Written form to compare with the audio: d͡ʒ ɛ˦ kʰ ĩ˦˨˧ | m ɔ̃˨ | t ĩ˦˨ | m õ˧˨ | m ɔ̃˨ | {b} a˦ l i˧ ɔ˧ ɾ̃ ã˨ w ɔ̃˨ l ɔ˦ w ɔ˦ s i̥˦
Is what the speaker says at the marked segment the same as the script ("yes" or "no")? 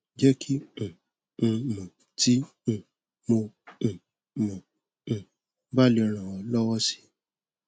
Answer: yes